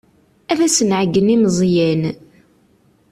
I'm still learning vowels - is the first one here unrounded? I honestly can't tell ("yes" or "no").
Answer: yes